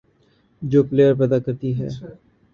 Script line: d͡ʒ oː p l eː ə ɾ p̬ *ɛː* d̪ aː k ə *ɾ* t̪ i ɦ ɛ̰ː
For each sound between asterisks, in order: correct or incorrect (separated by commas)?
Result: correct, correct